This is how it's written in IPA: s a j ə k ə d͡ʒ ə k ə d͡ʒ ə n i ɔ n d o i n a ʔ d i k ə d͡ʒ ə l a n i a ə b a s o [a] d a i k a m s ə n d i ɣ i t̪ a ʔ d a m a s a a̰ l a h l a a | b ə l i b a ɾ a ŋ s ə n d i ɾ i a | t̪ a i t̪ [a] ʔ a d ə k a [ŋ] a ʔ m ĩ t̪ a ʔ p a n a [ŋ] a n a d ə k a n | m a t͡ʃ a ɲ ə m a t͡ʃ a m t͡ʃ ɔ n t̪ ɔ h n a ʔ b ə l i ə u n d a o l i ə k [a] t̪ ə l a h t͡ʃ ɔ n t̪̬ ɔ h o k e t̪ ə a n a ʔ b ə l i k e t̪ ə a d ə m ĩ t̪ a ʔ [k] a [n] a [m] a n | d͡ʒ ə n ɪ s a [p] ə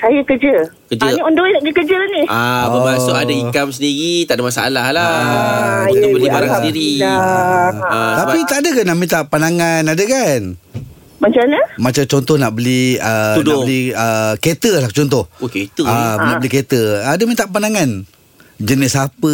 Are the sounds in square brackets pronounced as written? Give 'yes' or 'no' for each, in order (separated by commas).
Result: yes, yes, no, yes, no, no, yes, no, yes